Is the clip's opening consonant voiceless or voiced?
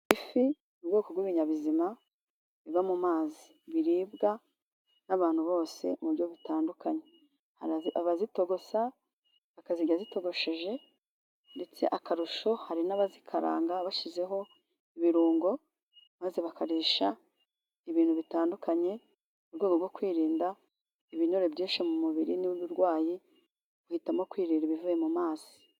voiceless